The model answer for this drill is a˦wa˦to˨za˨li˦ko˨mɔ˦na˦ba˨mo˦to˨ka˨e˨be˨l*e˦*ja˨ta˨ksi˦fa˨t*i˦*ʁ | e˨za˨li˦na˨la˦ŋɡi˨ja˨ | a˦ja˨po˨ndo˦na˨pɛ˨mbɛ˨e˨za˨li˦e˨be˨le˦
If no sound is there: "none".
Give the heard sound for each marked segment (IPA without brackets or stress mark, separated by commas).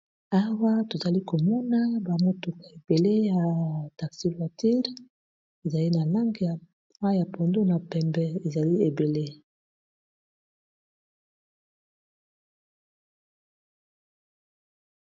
e˦, i˦